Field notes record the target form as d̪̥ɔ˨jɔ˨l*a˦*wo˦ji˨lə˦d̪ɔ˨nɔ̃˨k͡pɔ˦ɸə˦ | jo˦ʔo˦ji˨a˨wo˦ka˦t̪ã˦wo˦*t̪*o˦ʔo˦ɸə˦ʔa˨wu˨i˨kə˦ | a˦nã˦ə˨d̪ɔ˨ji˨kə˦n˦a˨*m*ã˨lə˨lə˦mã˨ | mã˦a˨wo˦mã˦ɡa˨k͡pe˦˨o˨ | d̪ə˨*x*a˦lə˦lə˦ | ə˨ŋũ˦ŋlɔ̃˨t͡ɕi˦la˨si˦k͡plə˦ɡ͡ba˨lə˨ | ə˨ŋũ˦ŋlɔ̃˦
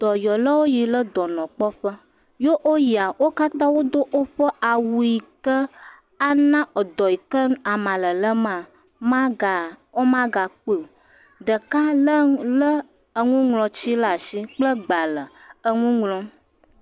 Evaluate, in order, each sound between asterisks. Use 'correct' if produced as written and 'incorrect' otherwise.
incorrect: ə˦, incorrect: d̪, correct, incorrect: k

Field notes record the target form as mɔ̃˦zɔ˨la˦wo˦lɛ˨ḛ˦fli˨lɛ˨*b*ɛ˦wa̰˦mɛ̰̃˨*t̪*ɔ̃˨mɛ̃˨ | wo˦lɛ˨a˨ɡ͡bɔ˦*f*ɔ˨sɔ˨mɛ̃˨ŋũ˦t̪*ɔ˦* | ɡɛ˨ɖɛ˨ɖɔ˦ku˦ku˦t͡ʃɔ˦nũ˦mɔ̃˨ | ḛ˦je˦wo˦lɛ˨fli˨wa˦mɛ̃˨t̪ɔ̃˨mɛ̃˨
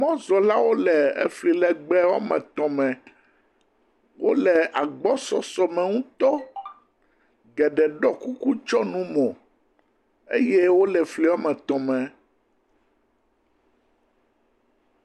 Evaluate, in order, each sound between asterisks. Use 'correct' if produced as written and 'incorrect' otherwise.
incorrect: ɡ͡b, correct, incorrect: s, correct

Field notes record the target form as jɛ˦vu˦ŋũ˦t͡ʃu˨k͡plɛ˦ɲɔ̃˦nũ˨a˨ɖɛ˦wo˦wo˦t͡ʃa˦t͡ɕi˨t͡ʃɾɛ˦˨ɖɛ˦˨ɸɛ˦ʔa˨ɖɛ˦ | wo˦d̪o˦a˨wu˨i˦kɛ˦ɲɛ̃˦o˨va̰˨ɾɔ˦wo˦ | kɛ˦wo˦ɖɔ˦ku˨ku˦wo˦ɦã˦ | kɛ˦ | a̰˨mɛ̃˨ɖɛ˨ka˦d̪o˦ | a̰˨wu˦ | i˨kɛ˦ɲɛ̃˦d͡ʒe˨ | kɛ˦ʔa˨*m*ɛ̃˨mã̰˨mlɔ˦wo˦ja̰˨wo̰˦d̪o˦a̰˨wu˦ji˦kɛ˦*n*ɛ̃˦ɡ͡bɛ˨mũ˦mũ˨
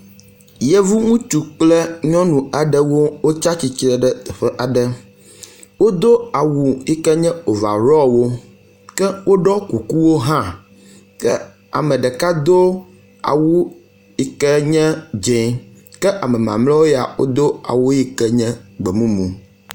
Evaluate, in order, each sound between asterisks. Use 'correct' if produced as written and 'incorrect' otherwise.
correct, incorrect: ɲ

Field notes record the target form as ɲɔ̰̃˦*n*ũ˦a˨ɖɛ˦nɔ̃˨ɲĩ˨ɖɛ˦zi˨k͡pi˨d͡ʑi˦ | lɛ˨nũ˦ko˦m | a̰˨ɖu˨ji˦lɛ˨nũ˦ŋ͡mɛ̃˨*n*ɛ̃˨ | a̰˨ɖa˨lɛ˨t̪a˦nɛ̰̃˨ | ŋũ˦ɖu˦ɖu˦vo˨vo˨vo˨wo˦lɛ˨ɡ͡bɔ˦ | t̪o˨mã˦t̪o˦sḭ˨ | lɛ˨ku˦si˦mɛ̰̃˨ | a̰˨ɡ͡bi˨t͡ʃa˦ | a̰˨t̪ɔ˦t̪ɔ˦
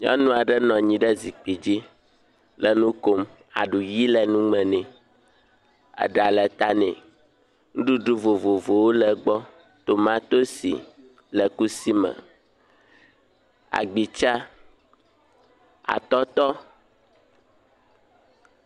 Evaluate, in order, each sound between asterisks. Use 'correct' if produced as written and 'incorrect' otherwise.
correct, correct

